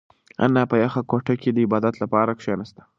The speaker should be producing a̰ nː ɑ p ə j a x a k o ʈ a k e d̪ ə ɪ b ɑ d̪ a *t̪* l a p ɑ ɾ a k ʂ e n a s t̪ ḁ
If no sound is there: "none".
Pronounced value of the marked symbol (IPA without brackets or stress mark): t̪